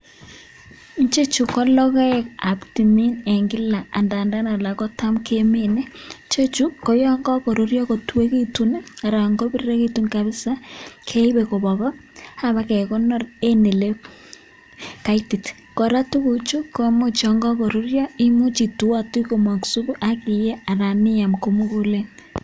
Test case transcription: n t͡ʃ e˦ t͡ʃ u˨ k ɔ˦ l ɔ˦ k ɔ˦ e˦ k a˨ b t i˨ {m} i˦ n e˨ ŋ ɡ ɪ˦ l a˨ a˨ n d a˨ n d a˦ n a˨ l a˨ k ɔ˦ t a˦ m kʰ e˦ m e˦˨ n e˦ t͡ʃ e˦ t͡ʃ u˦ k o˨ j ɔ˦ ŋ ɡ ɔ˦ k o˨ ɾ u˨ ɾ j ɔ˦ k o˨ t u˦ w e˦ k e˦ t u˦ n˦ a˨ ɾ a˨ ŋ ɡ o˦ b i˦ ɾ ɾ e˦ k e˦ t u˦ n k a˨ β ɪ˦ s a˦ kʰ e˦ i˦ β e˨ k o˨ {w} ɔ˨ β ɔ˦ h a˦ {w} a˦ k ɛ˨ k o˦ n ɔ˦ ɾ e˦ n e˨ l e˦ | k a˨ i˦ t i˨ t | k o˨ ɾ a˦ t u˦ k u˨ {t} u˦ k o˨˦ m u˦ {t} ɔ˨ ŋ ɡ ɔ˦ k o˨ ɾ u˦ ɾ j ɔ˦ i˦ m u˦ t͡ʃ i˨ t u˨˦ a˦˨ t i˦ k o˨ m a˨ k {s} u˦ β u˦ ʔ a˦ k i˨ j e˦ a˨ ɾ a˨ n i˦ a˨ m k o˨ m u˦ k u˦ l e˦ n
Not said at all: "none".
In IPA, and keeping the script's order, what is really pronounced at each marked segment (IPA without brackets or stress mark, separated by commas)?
m, β, β, t͡ʃ, t͡ʃ, s